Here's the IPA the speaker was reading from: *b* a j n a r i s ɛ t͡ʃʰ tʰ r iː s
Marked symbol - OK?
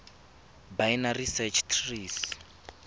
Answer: yes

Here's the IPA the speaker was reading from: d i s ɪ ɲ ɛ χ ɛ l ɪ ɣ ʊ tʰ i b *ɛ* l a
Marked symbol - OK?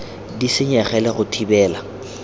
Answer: no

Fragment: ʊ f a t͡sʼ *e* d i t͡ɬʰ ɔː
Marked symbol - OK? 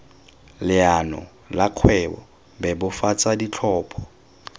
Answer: no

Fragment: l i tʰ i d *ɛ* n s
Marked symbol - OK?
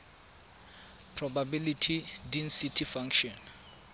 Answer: no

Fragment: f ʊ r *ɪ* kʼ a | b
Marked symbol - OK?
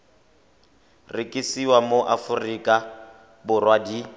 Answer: no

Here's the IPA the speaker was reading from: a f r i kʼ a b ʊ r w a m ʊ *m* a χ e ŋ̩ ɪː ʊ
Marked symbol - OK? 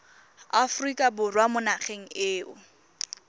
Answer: no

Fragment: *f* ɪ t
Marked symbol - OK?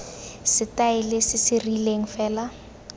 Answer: no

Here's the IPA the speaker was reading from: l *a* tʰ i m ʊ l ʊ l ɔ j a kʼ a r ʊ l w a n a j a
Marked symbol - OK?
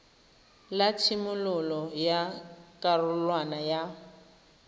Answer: yes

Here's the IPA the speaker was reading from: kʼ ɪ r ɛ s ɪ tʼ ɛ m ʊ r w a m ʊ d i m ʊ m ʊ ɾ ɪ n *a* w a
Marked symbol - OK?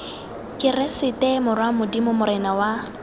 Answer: yes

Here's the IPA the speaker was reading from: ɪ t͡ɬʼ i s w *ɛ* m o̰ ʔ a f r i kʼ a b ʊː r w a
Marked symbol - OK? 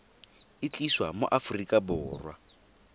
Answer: no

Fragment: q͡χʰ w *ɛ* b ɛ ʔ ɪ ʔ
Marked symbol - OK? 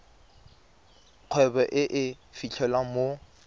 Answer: yes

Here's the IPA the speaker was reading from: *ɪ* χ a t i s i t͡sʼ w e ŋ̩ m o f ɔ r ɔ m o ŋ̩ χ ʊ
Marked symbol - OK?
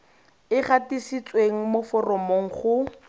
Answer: yes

